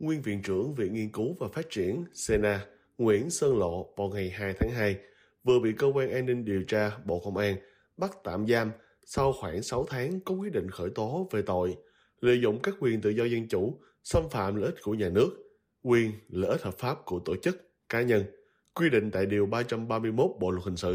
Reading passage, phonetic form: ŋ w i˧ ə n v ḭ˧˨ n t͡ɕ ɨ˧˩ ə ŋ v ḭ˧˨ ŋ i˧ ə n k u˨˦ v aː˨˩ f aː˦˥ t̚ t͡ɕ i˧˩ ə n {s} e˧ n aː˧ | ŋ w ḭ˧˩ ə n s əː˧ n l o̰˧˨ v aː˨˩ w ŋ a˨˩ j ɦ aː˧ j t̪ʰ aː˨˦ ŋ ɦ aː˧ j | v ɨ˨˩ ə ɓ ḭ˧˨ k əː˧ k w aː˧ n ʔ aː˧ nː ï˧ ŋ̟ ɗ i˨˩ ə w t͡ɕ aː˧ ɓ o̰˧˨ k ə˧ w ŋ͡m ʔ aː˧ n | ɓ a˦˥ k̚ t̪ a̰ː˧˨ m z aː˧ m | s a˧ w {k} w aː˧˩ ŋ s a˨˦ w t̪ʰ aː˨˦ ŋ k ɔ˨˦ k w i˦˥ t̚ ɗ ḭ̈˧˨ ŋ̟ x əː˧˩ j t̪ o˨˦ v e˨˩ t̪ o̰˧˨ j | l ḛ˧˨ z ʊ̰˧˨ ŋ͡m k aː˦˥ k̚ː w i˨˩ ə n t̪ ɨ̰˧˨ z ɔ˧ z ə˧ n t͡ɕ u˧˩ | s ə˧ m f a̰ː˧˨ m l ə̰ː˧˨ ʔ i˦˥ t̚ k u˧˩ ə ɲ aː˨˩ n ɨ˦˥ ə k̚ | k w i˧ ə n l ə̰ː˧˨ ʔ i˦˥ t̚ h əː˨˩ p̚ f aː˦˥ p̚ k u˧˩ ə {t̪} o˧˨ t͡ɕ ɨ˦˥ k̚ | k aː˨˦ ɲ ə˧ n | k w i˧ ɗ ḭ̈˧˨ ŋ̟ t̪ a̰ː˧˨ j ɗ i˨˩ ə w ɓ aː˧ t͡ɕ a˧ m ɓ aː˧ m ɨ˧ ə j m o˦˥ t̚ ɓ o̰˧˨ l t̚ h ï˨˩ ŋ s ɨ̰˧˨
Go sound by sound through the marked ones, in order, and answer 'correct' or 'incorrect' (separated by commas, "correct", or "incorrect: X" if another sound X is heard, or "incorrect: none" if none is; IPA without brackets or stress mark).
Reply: correct, incorrect: x, correct